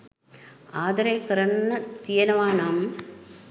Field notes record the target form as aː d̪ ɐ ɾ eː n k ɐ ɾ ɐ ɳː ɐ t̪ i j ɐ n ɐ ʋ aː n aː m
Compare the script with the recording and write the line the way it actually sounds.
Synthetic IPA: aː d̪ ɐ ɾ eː k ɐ ɾ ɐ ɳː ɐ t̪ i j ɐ n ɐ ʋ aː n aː m